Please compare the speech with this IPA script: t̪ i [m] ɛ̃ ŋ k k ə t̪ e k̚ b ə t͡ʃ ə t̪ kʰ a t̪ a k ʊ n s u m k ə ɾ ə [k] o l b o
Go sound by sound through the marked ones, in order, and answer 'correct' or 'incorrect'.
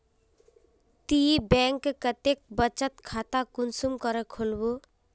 incorrect, incorrect

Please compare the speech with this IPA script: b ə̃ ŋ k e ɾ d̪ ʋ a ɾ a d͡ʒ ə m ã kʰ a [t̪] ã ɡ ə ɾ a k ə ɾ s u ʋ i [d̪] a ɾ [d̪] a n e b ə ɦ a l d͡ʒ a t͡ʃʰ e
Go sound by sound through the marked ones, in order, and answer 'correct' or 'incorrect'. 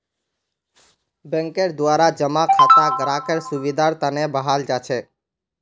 correct, correct, incorrect

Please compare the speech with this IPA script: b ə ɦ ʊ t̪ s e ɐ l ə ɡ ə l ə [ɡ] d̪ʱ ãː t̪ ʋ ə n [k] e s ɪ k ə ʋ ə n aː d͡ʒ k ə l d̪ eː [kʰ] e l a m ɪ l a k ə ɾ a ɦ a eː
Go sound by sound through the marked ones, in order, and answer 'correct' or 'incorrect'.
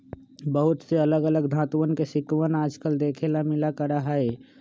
correct, correct, correct

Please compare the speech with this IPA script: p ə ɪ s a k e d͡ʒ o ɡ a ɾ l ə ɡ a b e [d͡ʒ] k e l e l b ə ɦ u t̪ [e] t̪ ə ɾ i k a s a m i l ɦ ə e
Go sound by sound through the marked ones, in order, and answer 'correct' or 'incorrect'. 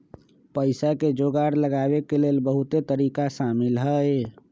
incorrect, correct

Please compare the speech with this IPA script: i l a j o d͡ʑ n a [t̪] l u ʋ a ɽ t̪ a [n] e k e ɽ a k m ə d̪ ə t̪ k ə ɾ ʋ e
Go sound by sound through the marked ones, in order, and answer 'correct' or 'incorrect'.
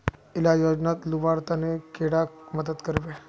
correct, correct

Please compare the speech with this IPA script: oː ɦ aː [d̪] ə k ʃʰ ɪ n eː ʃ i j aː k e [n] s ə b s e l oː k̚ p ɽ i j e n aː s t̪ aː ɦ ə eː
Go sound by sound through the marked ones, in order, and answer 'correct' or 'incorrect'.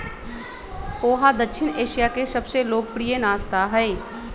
correct, incorrect

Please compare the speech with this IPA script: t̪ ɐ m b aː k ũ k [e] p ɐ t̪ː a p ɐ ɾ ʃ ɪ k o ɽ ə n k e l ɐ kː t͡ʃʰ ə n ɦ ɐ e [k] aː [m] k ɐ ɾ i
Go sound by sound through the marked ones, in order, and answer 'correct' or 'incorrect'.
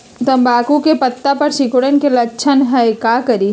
correct, correct, incorrect

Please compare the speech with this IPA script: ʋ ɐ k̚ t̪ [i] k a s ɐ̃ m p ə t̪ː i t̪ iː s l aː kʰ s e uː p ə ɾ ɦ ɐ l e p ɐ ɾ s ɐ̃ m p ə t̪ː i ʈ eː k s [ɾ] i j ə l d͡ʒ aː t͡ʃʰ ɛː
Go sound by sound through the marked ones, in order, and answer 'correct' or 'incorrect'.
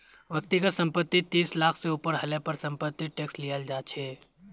correct, incorrect

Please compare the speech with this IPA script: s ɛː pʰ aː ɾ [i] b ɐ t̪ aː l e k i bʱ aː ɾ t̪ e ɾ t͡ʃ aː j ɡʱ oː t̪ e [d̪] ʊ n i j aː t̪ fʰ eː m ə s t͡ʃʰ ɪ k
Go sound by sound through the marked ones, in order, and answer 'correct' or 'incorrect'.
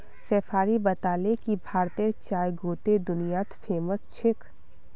correct, correct

